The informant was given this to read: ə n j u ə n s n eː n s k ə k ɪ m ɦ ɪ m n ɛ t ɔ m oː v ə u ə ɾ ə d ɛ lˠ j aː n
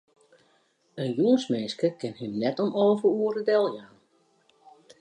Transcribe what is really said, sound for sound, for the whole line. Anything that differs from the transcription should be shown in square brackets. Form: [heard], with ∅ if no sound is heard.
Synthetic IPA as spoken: ə n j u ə n s [m] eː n s k ə k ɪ [n] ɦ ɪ m n ɛ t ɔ m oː v ə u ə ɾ ə d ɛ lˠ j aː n